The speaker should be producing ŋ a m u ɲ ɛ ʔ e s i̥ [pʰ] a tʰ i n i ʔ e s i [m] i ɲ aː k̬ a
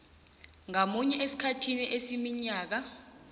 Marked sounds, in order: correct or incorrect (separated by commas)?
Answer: incorrect, correct